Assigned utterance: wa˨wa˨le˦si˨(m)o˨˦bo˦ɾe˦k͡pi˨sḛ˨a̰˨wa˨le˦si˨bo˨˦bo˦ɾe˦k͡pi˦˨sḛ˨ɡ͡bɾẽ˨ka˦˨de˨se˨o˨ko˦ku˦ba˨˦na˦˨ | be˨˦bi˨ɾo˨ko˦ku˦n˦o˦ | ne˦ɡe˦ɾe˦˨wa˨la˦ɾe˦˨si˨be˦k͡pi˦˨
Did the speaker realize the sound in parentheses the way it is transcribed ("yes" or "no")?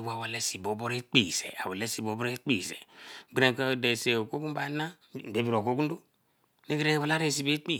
no